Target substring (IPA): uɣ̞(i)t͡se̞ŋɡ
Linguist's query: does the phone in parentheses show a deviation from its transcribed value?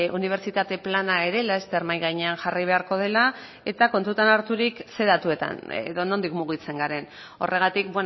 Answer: no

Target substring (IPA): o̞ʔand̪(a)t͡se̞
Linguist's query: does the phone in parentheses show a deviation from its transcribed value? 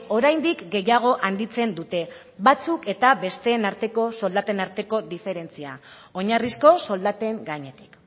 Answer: yes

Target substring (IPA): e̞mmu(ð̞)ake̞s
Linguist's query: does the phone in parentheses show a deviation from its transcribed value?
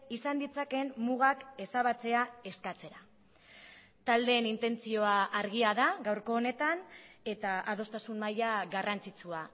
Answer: yes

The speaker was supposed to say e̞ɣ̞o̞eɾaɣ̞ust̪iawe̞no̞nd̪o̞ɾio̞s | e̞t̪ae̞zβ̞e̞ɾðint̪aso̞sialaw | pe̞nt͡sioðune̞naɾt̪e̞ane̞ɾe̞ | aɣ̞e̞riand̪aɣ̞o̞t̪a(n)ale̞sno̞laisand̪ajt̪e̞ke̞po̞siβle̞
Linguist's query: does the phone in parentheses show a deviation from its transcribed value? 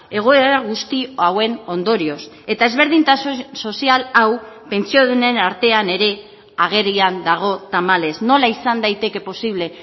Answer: yes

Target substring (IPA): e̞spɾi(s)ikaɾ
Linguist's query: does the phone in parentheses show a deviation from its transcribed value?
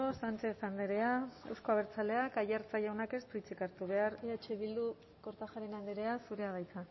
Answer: yes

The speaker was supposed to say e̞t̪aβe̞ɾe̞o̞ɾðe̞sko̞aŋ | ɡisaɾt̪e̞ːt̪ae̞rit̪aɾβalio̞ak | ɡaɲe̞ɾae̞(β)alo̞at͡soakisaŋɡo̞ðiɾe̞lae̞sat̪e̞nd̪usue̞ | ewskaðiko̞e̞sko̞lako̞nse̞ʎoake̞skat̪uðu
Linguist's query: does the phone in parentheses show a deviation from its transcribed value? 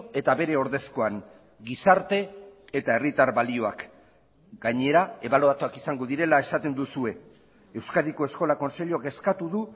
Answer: no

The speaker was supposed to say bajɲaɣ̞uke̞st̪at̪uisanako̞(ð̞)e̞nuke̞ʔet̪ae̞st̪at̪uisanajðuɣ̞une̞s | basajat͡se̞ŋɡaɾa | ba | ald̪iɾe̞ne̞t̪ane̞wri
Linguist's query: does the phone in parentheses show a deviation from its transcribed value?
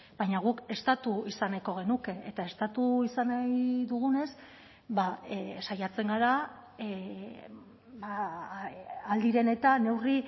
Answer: yes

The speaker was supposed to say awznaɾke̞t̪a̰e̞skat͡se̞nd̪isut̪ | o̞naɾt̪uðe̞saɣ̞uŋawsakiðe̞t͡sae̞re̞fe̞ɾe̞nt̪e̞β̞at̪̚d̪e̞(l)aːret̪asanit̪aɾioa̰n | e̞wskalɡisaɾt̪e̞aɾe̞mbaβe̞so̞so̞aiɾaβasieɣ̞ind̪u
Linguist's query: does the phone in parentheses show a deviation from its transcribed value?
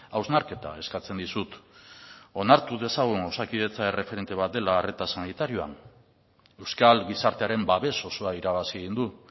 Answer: no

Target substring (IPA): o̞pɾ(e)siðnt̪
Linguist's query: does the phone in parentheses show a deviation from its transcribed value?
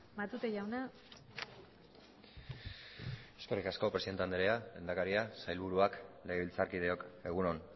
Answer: no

